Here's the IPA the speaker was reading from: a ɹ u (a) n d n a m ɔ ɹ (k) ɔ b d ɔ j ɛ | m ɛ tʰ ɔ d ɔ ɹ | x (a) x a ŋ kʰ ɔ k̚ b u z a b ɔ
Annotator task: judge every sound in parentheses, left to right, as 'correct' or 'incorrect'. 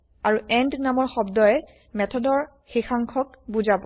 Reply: incorrect: ɛ, incorrect: x, incorrect: i

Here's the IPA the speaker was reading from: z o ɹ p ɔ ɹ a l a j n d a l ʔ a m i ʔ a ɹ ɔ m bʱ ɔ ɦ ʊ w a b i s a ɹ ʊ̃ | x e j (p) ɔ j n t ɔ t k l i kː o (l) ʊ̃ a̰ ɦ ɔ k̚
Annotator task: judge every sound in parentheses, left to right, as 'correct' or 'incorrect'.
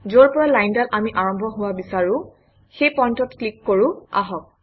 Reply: correct, incorrect: ɹ

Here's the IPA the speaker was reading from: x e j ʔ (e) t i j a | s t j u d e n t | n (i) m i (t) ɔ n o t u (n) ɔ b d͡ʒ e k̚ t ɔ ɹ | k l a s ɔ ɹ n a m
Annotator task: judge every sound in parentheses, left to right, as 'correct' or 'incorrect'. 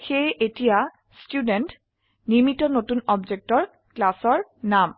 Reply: correct, correct, correct, correct

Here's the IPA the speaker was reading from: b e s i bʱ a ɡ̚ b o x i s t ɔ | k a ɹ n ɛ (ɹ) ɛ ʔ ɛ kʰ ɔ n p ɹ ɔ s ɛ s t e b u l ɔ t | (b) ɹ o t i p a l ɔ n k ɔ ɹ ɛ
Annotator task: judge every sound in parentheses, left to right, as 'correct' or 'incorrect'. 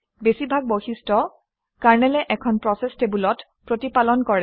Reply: incorrect: l, incorrect: p

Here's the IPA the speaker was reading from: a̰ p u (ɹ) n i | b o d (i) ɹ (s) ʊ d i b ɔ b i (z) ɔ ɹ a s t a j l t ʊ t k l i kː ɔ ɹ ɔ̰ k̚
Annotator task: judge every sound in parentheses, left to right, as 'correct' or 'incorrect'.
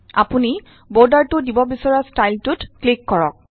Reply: incorrect: none, incorrect: a, incorrect: t, incorrect: s

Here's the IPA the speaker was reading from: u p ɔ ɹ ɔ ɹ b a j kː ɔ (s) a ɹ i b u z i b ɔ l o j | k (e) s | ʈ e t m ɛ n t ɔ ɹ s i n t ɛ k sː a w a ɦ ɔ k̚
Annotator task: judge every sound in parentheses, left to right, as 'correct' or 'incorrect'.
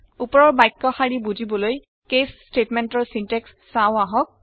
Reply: incorrect: x, correct

